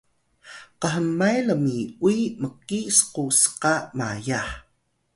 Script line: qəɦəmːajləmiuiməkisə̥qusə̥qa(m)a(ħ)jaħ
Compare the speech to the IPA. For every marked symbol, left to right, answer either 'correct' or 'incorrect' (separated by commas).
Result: correct, incorrect